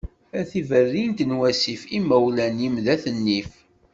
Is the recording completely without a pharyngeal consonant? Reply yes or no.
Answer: yes